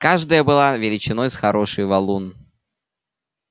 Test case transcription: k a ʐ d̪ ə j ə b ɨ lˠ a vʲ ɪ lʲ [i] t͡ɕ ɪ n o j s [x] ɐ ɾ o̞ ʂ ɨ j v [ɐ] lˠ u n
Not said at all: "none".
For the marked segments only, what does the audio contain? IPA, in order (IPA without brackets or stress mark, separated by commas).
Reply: ɪ, x, ɐ